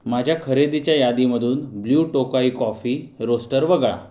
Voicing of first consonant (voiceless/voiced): voiced